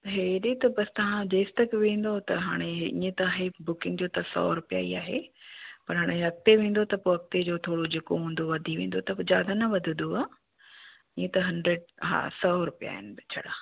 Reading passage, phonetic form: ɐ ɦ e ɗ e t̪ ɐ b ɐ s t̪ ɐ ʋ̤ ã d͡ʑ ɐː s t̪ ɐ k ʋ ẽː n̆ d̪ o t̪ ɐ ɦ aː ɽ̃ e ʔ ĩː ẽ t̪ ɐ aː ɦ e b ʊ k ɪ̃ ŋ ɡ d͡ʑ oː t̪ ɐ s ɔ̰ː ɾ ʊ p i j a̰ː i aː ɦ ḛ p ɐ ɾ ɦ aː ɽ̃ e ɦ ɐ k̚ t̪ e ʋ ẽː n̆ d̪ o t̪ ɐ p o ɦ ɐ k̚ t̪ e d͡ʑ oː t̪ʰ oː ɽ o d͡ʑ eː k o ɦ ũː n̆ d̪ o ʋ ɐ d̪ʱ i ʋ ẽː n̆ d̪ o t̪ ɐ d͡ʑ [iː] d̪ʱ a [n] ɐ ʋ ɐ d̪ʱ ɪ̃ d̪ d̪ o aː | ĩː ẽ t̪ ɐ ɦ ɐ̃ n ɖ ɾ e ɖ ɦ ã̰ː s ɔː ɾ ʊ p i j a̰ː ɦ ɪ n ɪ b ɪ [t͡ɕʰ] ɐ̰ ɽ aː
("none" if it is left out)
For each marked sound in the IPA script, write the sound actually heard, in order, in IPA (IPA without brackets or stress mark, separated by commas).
aː, n, t͡ɕʰ